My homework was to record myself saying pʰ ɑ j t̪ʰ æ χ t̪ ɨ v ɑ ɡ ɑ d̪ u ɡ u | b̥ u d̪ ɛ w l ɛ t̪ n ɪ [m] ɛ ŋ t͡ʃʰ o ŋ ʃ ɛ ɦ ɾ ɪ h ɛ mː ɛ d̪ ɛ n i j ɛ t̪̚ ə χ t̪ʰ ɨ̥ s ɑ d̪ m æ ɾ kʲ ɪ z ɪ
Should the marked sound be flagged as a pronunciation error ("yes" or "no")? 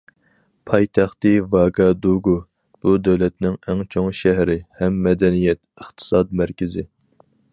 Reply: yes